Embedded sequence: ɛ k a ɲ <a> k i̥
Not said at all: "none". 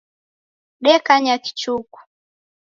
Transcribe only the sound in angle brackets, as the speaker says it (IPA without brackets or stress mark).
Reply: a